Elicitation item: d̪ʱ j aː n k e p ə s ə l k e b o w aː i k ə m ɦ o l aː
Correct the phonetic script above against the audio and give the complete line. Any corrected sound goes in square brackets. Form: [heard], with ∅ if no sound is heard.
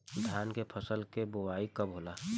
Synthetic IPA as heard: d̪ʱ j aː n k e [pʰ] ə s ə l k e b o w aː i k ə [b] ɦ o l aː